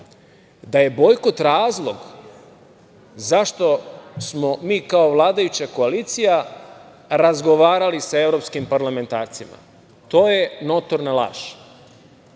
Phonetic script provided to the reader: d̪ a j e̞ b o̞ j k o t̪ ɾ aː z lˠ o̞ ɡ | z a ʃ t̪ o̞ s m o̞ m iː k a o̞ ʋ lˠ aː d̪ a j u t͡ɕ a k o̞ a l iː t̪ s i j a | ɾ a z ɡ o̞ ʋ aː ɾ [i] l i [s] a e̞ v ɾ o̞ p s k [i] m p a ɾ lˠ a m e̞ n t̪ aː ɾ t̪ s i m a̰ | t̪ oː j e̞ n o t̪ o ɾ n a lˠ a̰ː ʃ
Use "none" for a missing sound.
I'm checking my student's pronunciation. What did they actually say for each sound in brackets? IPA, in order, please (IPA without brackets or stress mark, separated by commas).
a, s, i